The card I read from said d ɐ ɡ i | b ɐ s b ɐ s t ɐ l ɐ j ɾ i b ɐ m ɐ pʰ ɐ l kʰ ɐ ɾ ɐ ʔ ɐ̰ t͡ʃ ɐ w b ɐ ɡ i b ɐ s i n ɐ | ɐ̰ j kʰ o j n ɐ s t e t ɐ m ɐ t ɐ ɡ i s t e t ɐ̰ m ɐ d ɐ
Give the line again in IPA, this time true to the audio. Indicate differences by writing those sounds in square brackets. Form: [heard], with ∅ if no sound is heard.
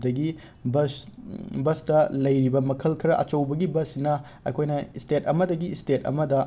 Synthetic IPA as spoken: d ɐ ɡ i | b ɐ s b ɐ s t ɐ l ɐ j ɾ i b ɐ m ɐ [kʰ] ɐ l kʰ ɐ ɾ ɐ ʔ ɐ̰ t͡ʃ ɐ w b ɐ ɡ i b ɐ s i n ɐ | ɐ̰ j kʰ o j n ɐ s t e t ɐ m ɐ [d] ɐ ɡ i s t e t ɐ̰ m ɐ d ɐ